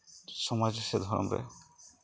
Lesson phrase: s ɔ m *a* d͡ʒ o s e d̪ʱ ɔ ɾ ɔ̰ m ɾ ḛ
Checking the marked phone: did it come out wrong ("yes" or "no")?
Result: no